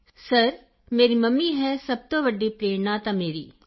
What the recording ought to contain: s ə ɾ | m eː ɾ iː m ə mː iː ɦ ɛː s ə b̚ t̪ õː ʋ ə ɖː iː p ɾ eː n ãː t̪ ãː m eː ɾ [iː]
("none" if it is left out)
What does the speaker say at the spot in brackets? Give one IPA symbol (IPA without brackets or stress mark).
iː